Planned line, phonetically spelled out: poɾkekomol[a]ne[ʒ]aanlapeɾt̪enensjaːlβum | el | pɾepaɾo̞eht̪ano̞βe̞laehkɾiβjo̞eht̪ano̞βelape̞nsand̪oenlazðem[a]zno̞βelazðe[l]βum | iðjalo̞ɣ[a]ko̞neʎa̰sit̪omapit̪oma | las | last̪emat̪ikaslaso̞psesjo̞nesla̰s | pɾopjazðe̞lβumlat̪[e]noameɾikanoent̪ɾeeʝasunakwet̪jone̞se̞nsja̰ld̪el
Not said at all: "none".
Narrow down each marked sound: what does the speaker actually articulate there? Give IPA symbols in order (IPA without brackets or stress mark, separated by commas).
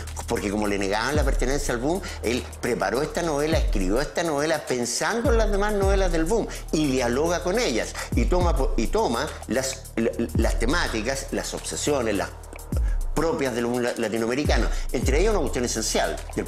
e, ɣ, a, l, a, i